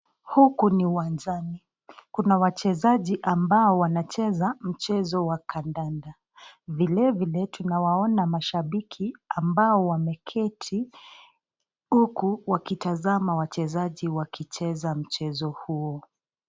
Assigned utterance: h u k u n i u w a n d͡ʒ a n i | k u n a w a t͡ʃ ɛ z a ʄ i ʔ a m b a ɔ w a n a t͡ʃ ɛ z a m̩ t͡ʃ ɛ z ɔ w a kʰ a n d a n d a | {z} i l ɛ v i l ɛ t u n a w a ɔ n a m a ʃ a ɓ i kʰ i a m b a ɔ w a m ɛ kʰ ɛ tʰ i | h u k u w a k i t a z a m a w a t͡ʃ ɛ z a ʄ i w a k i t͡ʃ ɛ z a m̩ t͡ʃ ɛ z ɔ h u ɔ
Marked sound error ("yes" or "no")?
yes